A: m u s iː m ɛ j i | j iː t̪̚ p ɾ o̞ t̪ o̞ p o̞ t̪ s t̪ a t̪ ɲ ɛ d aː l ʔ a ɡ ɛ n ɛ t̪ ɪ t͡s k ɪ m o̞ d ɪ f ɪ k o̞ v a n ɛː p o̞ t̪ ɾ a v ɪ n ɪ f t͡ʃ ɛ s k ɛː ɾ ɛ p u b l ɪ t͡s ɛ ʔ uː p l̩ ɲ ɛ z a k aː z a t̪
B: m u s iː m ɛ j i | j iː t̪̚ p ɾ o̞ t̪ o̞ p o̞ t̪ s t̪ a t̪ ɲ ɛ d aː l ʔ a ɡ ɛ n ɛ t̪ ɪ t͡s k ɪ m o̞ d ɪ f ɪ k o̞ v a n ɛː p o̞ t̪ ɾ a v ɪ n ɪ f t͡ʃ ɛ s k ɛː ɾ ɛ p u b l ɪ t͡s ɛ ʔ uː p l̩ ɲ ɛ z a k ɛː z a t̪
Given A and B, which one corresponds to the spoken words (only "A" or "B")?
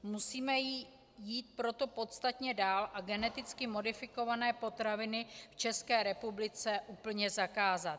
A